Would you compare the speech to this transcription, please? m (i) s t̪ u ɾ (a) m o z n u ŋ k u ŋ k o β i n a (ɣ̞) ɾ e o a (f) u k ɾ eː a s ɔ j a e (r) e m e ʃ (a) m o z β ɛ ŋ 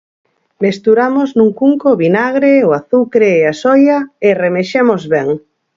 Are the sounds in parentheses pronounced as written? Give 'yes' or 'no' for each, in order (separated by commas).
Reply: no, yes, yes, no, yes, no